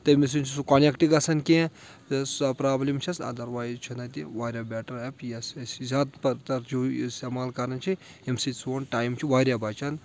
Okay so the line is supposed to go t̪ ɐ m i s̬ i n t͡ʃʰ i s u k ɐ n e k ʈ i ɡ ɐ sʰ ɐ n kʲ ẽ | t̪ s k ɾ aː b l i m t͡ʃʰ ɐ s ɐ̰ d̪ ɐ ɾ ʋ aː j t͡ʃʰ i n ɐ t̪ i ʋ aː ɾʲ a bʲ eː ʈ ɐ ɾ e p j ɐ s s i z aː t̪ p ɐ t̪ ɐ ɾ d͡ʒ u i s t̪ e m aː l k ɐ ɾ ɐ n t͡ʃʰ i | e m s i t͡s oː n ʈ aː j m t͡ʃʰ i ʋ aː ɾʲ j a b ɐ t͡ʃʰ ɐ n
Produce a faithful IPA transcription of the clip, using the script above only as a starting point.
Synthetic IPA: t̪ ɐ m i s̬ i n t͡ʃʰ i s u k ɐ n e k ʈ i ɡ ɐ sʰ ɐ n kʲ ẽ | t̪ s p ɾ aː b l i m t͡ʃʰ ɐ s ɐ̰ d̪ ɐ ɾ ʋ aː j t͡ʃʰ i n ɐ t̪ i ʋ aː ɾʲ a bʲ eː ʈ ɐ ɾ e p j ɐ s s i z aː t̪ p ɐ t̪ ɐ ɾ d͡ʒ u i s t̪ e m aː l k ɐ ɾ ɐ n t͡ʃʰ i | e m s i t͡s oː n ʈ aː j m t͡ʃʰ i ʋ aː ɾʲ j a b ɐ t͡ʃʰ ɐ n